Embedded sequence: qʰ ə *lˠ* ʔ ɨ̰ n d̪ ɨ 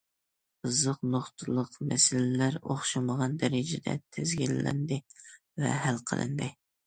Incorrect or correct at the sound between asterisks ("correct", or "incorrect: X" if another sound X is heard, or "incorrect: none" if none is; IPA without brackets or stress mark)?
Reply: correct